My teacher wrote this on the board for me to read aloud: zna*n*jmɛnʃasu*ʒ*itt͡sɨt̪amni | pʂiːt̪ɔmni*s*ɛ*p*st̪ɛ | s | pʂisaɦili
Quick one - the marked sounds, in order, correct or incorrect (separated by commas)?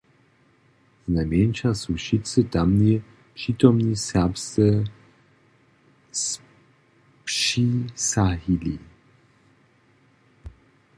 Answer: incorrect, incorrect, correct, correct